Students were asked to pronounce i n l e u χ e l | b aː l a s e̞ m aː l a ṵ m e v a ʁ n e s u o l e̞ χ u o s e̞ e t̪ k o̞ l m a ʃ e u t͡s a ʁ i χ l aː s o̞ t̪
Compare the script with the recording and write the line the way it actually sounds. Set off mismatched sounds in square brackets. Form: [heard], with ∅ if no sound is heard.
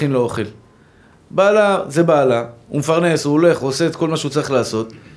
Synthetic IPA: i n l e [o] χ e l | b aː l a [z] e̞ [b] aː l a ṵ m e [f] a ʁ n e s u o l e̞ χ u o s e̞ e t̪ k o̞ l m a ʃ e u t͡s a ʁ i χ l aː s o̞ t̪